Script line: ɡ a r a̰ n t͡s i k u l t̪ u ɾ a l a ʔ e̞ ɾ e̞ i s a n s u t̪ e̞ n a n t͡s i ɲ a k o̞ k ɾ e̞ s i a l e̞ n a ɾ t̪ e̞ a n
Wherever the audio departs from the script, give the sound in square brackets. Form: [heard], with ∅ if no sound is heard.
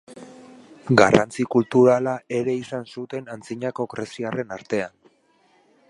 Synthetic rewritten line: ɡ a r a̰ n t͡s i k u l t̪ u ɾ a l a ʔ e̞ ɾ e̞ i s a n s u t̪ e̞ n a n t͡s i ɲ a k o̞ k ɾ e̞ s i a [r] e̞ n a ɾ t̪ e̞ a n

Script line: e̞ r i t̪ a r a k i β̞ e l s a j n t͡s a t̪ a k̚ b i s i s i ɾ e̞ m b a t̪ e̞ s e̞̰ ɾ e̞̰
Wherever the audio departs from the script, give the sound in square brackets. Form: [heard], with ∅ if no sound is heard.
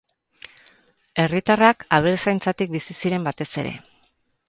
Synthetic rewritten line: e̞ r i t̪ a r a k [a] β̞ e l s a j n t͡s a t̪ [i] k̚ b i s i s i ɾ e̞ m b a t̪ e̞ s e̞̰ ɾ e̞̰

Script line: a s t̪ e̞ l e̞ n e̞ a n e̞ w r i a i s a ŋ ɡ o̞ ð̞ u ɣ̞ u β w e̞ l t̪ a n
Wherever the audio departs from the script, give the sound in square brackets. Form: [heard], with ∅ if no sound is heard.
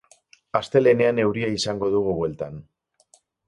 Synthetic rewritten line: a s t̪ e̞ l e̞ n e̞ a n e̞ w [ɾ] i a i s a ŋ ɡ o̞ ð̞ u ɣ̞ u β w e̞ l t̪ a n

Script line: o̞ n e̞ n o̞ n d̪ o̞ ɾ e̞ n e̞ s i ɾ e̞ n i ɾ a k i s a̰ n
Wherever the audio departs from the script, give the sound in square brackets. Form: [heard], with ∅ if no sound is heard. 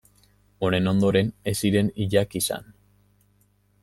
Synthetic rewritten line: o̞ n e̞ n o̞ n d̪ o̞ ɾ e̞ n e̞ s i ɾ e̞ n i [ʎ] a k i s a̰ n

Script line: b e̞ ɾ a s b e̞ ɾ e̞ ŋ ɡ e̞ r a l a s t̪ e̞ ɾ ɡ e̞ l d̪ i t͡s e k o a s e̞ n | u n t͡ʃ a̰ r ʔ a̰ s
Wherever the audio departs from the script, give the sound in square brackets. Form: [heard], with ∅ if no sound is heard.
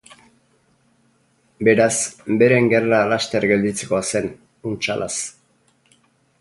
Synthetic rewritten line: b e̞ ɾ a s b e̞ ɾ e̞ ŋ ɡ e̞ r a l a s t̪ e̞ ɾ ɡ e̞ l d̪ i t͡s e k o a s e̞ n | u n t͡ʃ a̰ [l] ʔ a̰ s

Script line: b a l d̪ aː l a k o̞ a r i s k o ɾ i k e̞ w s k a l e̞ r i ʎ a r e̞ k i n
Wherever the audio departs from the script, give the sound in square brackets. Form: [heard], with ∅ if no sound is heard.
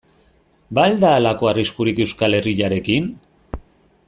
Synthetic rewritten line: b a l d̪ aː l a k o̞ a r i s k [u] ɾ i k e̞ w s k a l e̞ r i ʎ a [ɾ] e̞ k i n

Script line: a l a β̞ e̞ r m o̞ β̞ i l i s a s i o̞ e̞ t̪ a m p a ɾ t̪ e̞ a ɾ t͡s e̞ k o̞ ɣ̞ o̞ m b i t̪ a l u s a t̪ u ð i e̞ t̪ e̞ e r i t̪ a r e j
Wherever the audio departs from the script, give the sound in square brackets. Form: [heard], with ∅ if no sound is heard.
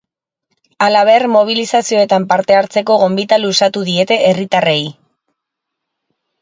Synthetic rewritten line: a l a β̞ e̞ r m o̞ β̞ i l i s a s i o̞ e̞ t̪ a m p a ɾ t̪ e̞ a ɾ t͡s e̞ k o̞ ɣ̞ o̞ m b i t̪ a l u s a t̪ u ð i e̞ t̪ e̞ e r i t̪ a r e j

